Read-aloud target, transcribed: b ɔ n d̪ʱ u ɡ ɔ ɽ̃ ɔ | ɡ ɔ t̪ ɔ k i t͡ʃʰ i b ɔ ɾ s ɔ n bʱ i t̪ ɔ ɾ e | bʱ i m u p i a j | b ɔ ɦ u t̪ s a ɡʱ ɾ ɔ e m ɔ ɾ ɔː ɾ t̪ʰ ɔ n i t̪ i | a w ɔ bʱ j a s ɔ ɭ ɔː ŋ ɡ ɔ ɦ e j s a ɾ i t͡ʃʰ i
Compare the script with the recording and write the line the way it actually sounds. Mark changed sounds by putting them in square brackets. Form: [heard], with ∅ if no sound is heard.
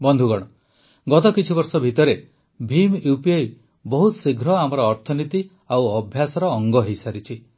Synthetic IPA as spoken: b ɔ n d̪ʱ u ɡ ɔ ɽ̃ ɔ | ɡ ɔ t̪ ɔ k i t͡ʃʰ i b ɔ ɾ s ɔ [∅] bʱ i t̪ ɔ ɾ e | bʱ i m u p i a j | b ɔ ɦ u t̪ s [i] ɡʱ ɾ ɔ [a] m ɔ ɾ ɔː ɾ t̪ʰ ɔ n i t̪ i | a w ɔ bʱ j a s ɔ [ɾ] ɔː ŋ ɡ ɔ ɦ e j s a ɾ i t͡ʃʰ i

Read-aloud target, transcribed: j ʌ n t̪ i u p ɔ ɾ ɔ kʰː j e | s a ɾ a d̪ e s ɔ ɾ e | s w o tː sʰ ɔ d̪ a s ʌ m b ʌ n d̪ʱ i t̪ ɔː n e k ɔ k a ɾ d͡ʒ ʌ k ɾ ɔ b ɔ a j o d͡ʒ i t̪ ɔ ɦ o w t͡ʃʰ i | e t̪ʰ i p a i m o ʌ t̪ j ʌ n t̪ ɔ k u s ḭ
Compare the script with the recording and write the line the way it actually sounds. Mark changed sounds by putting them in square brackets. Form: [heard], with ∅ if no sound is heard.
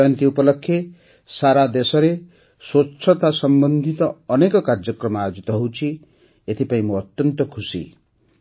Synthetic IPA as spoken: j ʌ n t̪ i u p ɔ [l] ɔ kʰː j e | s a ɾ a d̪ e s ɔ ɾ e | s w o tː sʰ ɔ [t̪] a s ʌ m b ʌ n d̪ʱ i t̪ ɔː n e k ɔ k a ɾ d͡ʒ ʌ k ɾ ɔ [m] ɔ a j o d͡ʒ i t̪ ɔ ɦ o w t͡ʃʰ i | e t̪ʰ i p a [ĩ] m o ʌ t̪ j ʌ n t̪ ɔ [kʰ] u s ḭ

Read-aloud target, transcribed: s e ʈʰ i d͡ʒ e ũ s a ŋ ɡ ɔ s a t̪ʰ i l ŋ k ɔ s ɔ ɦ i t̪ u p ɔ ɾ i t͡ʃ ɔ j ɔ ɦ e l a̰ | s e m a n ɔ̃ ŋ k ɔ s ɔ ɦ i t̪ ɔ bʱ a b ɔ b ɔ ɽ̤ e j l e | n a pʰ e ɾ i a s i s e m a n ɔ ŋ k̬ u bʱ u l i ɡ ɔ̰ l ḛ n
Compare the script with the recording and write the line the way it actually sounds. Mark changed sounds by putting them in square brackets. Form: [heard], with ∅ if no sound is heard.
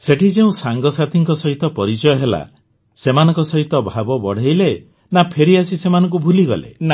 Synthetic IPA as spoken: s e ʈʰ i d͡ʒ e ũ s a ŋ ɡ ɔ s a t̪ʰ i [∅] ŋ k ɔ s ɔ ɦ i t̪ [ɔ] p ɔ ɾ i t͡ʃ ɔ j ɔ ɦ e l a̰ | s e m a n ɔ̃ ŋ k ɔ s ɔ ɦ i t̪ ɔ bʱ a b ɔ b ɔ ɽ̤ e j l e | n a pʰ e ɾ i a s i s e m a n ɔ ŋ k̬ u bʱ u l i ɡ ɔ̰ l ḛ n

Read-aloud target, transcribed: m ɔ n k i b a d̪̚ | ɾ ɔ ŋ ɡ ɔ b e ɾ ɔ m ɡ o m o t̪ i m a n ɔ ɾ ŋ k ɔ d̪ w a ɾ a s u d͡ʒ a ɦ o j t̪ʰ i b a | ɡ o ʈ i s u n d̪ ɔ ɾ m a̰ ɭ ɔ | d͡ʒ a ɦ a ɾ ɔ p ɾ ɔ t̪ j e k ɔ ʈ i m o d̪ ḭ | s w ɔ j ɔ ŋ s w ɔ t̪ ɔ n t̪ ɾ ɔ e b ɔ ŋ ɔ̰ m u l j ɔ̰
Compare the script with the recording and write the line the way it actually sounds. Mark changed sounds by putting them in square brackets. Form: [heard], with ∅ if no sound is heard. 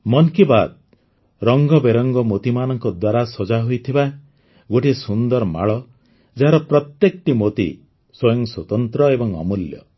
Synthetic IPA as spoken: m ɔ n k i b a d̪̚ | ɾ ɔ ŋ ɡ ɔ b e ɾ ɔ [ŋ] ɡ [ɔ] m o t̪ i m a n ɔ [∅] ŋ k ɔ d̪ w a ɾ a s [ɔ] d͡ʒ a ɦ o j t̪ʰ i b a | ɡ o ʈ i s u n d̪ ɔ ɾ m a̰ ɭ ɔ | d͡ʒ a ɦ a ɾ ɔ p ɾ ɔ t̪ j e k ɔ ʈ i m o [t̪] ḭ | s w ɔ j ɔ ŋ s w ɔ t̪ ɔ n t̪ ɾ ɔ e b ɔ ŋ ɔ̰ m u l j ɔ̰

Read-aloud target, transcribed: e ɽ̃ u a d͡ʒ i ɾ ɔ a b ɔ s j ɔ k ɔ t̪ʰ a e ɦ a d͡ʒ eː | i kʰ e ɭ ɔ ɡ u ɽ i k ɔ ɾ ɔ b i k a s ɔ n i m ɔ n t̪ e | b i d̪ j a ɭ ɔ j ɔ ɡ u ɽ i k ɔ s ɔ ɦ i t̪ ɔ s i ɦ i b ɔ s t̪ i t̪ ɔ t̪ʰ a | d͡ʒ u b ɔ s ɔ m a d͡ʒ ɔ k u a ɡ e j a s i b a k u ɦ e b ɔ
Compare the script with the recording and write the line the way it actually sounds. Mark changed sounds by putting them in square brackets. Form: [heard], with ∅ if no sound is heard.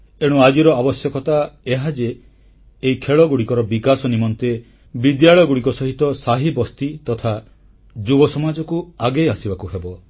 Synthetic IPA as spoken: e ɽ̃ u a d͡ʒ i ɾ ɔ a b ɔ s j ɔ k ɔ [t̪] a e ɦ a d͡ʒ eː | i kʰ e ɭ ɔ ɡ u ɽ i k ɔ ɾ ɔ b i k a s ɔ n i m ɔ n t̪ e | b i d̪ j a ɭ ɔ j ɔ ɡ u ɽ i k ɔ s ɔ ɦ i t̪ ɔ s [a] ɦ i b ɔ s t̪ i t̪ ɔ t̪ʰ a | d͡ʒ u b ɔ s ɔ m a d͡ʒ ɔ k u a ɡ e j a s i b a k u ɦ e b ɔ

